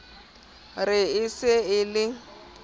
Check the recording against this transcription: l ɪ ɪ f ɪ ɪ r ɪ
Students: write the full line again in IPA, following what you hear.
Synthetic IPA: r ɪ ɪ s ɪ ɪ l ɪ